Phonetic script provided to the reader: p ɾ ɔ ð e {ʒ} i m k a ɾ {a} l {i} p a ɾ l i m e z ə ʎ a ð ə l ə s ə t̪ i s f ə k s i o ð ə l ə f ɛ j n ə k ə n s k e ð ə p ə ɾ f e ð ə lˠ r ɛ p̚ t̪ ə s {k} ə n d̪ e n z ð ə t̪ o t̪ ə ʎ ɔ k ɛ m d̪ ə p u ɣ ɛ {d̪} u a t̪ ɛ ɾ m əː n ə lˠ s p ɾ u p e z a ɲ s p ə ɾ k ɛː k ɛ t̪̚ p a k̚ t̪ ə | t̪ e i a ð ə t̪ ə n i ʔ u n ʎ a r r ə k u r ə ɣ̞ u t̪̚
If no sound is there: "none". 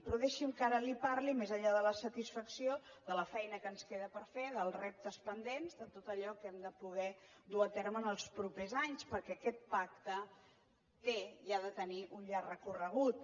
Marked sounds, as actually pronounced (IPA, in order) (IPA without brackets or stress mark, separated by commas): ʃ, ə, i, p, d̪